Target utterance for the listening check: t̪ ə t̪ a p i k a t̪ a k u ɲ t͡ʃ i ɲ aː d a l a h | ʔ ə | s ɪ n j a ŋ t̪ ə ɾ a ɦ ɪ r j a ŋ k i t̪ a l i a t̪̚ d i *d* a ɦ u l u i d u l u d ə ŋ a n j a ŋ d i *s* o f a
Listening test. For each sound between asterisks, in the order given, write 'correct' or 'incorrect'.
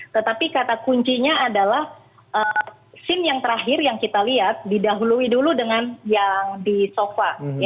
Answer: correct, correct

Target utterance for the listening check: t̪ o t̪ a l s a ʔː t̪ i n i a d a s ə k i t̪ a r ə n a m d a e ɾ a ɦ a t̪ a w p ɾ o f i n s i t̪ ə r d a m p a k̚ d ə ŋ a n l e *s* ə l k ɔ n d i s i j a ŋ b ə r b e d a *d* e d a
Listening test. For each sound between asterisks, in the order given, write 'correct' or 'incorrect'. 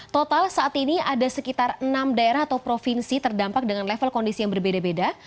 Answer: incorrect: f, incorrect: b

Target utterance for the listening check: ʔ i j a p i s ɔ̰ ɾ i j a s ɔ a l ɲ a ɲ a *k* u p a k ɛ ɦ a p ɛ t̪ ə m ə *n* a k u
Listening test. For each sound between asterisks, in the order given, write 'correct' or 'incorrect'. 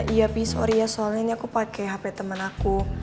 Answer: correct, correct

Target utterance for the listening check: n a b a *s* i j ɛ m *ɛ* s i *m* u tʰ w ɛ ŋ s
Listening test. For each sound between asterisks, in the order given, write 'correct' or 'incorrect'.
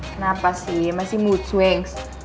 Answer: correct, incorrect: a, correct

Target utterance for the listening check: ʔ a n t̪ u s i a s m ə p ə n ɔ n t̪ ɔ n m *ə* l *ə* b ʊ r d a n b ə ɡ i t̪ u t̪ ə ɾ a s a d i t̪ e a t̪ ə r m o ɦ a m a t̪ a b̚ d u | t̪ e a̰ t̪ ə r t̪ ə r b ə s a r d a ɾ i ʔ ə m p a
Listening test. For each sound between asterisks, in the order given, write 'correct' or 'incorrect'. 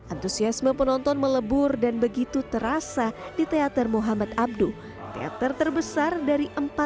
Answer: correct, correct

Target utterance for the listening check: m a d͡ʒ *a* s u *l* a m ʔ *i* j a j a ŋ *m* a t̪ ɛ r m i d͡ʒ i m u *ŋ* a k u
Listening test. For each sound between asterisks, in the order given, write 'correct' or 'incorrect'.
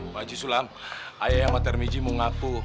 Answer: incorrect: i, correct, incorrect: a, correct, correct

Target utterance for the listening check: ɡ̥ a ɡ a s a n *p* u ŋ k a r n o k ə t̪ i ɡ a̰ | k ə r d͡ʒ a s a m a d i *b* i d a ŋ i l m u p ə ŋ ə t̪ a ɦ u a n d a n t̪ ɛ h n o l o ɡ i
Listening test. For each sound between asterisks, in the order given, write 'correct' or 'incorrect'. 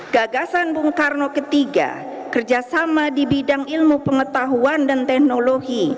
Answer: incorrect: b, correct

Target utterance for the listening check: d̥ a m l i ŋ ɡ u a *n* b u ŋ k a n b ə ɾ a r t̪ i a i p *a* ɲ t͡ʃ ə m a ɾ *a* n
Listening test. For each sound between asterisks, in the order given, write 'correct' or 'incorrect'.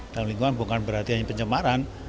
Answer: correct, incorrect: ə, correct

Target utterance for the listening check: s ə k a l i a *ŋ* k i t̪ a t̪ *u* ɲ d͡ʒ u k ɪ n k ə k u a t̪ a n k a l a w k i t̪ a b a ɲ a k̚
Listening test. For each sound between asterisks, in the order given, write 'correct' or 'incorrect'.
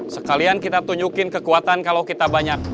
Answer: incorrect: n, correct

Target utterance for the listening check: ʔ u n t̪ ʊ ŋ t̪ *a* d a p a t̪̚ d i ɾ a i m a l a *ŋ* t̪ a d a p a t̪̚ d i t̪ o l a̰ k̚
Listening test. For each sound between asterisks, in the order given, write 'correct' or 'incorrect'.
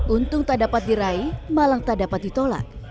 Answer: correct, correct

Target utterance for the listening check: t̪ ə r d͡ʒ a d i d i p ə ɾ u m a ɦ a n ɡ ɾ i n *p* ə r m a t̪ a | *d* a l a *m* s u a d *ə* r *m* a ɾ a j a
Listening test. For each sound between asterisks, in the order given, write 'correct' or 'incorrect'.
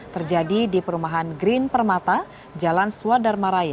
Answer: correct, incorrect: d͡ʒ, incorrect: n, incorrect: a, correct

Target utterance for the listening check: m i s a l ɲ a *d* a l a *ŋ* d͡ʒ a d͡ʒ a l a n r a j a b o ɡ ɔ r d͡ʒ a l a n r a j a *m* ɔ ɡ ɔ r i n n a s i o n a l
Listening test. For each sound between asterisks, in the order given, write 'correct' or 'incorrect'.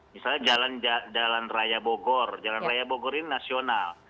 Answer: incorrect: d͡ʒ, incorrect: n, incorrect: b

